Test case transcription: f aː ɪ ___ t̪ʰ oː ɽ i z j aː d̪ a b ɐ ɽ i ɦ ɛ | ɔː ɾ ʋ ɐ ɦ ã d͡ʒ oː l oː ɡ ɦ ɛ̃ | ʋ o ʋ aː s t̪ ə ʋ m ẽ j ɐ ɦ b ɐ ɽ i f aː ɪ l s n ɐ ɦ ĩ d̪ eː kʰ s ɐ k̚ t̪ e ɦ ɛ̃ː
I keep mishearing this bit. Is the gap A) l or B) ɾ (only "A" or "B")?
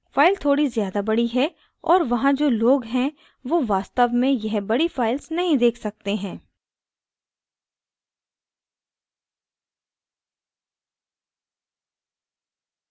A